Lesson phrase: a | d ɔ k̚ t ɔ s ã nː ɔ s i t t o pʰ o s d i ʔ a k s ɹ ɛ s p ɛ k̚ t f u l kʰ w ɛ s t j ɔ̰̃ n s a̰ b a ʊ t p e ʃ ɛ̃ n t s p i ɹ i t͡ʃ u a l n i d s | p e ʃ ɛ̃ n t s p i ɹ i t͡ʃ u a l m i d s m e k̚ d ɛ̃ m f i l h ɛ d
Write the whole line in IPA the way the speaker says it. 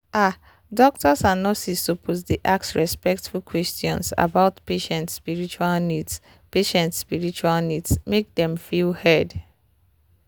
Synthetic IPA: a | d ɔ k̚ t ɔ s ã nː ɔ s i s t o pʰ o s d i ʔ a k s ɹ ɛ s p ɛ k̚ t f u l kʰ w ɛ s t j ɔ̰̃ n s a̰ b a ʊ t p e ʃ ɛ̃ n t s p i ɹ i t͡ʃ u a l n i d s | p e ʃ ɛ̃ n t s p i ɹ i t͡ʃ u a l n i d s m e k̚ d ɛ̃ m f i l h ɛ d